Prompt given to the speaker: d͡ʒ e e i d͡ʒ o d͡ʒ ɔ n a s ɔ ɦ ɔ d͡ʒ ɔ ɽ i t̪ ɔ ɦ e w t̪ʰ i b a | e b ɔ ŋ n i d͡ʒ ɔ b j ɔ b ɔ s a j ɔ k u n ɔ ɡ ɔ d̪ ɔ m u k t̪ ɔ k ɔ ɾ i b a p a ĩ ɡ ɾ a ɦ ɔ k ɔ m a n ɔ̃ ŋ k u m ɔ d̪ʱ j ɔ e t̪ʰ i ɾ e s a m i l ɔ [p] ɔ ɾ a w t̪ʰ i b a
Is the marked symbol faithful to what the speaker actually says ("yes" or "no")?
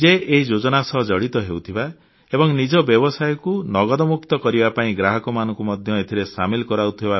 no